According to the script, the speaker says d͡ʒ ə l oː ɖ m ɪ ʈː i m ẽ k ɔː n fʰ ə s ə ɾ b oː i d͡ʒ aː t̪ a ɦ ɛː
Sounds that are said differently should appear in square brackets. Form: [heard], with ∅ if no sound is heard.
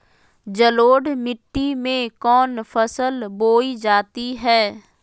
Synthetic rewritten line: d͡ʒ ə l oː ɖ m ɪ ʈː i m ẽ k ɔː n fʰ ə s ə [l] b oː i d͡ʒ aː t̪ [i] ɦ ɛː